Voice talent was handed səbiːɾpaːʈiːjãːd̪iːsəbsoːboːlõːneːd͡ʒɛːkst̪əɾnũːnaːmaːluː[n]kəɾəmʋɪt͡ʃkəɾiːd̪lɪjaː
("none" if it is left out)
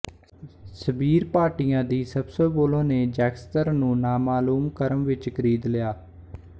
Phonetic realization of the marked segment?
m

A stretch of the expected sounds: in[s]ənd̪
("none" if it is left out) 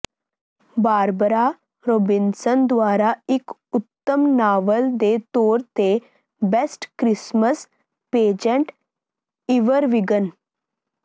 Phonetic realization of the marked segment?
s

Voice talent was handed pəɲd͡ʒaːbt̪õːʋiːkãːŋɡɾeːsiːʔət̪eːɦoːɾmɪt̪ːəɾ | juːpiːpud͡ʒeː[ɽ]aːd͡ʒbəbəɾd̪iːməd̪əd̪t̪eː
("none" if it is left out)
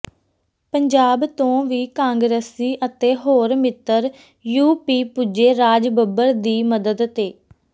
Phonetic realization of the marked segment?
ɾ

